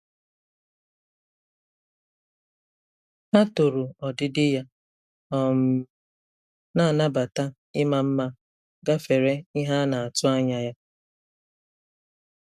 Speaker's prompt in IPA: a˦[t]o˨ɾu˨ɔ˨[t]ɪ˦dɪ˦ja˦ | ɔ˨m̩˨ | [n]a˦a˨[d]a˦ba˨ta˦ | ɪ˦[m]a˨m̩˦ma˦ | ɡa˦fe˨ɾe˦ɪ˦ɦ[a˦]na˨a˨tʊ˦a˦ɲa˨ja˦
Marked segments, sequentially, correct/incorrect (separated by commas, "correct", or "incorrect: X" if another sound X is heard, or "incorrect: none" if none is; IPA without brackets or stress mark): correct, incorrect: d, correct, incorrect: n, correct, correct